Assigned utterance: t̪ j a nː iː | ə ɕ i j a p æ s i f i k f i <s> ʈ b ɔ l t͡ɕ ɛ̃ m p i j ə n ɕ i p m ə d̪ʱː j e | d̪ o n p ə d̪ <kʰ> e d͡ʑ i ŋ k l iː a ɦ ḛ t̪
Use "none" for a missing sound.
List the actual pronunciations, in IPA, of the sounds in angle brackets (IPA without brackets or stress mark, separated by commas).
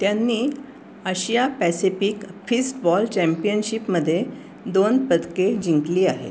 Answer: s, k